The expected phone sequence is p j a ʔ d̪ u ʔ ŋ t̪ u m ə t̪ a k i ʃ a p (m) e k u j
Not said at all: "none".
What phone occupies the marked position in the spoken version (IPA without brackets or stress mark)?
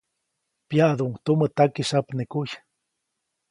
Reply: n